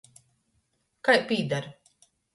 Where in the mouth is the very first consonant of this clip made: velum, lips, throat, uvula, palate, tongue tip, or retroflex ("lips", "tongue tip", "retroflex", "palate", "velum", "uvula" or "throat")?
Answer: velum